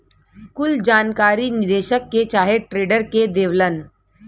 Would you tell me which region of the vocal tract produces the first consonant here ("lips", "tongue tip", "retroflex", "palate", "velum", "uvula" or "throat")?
velum